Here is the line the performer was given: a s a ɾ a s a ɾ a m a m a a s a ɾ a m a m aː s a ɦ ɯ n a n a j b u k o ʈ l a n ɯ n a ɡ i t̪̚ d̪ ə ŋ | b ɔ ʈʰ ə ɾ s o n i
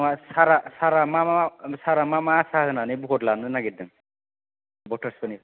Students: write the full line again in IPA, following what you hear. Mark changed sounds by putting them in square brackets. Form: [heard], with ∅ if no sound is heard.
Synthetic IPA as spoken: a s a ɾ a s a ɾ a m a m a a s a ɾ a m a m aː s a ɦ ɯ n a n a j b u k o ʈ l a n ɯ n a ɡ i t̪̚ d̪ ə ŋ | b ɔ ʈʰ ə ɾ s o n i